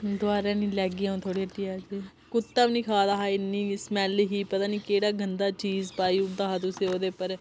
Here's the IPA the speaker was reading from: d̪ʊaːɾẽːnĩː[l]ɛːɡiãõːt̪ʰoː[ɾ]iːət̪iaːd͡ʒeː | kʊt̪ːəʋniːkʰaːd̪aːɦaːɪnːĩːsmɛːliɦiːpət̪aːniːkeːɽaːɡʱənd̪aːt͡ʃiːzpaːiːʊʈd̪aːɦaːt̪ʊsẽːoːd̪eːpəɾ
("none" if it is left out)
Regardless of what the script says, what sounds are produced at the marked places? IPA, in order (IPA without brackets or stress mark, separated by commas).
l, ɽ